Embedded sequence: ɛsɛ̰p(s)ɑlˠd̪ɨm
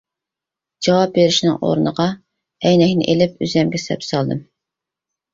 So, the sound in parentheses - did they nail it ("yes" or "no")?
yes